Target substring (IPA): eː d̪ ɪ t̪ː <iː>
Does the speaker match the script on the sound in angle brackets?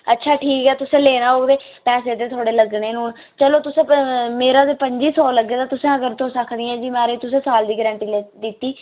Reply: yes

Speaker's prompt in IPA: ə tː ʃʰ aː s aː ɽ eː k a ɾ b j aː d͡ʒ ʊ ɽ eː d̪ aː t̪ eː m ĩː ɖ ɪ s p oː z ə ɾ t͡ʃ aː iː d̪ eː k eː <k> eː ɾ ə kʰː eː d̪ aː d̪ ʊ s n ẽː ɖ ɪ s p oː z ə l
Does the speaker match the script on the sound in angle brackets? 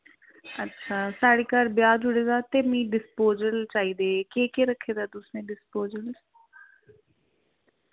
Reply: yes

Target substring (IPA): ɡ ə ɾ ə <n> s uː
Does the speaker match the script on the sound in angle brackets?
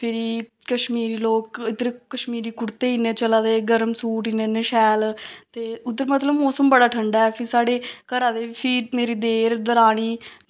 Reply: no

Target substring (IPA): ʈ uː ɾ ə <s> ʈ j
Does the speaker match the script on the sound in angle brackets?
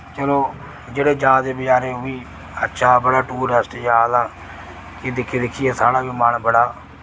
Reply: yes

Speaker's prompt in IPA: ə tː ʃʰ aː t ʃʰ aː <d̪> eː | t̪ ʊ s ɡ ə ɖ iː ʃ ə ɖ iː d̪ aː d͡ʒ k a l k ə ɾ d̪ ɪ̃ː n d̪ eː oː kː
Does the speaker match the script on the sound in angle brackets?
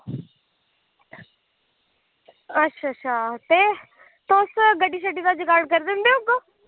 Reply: no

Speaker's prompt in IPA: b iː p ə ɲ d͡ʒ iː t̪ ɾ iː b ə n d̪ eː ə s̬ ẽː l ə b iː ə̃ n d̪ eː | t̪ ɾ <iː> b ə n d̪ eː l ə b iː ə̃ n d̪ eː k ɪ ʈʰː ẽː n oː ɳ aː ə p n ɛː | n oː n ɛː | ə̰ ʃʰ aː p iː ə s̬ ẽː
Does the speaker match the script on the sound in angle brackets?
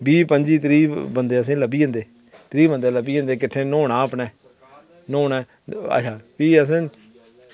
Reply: yes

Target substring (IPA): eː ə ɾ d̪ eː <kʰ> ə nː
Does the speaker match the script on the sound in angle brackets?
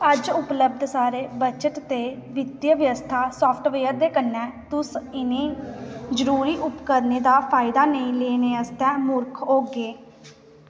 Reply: no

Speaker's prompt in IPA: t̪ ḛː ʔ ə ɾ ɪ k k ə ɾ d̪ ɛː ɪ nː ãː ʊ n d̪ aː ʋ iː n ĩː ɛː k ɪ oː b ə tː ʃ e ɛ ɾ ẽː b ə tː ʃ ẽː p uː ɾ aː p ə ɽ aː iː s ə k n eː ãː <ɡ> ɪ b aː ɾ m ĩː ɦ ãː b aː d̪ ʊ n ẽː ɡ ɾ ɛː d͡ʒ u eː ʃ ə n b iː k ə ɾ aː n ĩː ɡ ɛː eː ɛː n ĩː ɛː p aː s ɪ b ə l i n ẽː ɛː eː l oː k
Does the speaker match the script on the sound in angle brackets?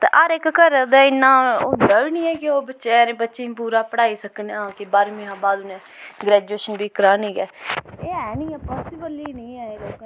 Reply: no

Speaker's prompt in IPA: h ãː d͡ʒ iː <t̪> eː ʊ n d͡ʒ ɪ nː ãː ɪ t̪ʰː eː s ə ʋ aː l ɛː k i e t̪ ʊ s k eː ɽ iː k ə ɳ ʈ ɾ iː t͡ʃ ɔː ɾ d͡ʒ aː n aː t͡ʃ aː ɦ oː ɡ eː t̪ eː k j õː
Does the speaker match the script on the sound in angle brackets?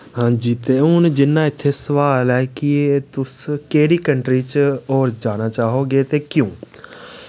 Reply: yes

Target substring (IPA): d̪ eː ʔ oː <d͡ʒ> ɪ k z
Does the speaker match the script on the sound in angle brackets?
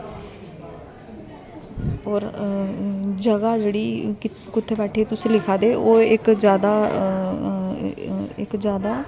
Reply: no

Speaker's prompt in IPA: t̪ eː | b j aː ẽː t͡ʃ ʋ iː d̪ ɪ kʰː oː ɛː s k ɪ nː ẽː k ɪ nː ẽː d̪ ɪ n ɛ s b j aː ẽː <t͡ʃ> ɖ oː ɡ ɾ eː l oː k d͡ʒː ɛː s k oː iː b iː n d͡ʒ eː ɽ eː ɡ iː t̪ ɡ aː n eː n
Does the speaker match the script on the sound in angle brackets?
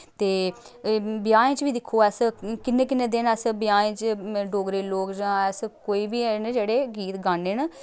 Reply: yes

